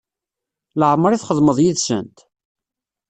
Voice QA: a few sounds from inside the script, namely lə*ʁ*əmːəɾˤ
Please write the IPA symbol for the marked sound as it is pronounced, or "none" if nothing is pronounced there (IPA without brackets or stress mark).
ʕ